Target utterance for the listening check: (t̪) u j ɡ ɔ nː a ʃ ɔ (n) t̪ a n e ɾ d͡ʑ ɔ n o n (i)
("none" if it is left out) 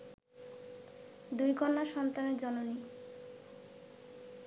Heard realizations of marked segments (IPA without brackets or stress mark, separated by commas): d̪, n, i